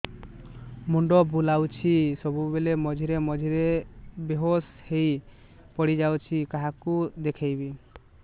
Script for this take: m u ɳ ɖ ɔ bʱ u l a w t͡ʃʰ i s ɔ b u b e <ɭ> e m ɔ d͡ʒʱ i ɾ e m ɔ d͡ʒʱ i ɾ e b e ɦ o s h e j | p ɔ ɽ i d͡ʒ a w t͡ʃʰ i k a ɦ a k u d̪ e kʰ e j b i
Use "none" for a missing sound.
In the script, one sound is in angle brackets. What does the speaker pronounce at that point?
l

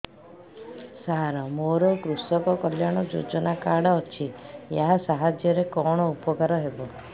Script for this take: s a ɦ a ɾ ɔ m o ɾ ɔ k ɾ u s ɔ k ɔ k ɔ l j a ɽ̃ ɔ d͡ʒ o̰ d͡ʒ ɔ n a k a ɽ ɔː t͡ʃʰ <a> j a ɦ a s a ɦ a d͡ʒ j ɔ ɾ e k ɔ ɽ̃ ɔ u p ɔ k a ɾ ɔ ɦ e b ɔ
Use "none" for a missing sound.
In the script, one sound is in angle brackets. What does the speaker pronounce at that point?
i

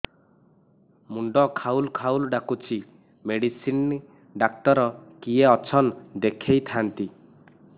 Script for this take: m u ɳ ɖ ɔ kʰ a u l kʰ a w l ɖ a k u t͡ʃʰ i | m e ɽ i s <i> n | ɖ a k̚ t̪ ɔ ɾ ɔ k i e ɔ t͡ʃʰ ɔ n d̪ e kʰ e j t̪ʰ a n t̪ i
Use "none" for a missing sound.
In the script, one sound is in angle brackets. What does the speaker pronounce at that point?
i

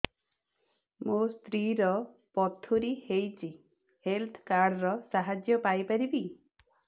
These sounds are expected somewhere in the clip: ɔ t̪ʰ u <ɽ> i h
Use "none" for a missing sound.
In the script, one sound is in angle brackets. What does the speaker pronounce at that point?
ɾ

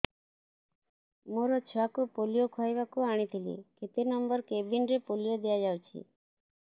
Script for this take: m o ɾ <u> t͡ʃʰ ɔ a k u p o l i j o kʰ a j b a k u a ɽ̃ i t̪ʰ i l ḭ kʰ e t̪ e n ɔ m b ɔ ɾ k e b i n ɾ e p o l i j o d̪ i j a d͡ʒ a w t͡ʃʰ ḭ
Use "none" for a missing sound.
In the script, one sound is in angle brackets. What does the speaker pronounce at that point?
ɔ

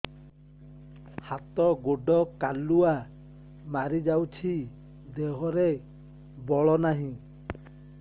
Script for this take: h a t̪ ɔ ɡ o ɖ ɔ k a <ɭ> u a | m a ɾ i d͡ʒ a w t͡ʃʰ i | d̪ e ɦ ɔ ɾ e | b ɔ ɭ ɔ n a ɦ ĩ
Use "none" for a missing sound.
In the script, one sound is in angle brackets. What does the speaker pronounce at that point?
l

